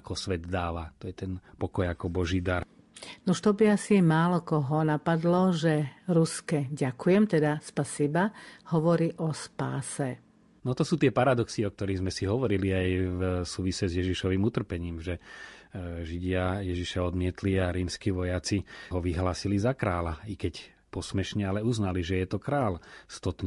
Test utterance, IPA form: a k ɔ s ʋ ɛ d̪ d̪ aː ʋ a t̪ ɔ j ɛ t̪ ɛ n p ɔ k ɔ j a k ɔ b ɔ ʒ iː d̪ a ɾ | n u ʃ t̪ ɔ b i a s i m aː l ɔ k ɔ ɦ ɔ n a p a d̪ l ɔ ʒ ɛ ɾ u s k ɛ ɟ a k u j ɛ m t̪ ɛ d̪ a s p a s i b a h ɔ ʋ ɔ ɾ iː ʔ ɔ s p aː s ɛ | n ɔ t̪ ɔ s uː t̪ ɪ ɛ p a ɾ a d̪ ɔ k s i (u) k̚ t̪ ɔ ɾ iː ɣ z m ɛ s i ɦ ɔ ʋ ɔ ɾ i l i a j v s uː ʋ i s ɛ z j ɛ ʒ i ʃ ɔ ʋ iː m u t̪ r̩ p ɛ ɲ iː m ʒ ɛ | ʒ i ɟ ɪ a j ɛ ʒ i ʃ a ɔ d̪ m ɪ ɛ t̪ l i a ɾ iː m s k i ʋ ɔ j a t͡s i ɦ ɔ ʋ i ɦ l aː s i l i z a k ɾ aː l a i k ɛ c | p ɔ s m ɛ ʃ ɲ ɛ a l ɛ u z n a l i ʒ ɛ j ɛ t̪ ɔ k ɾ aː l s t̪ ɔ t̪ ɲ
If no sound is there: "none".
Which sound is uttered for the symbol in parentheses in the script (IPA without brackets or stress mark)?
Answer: ɔ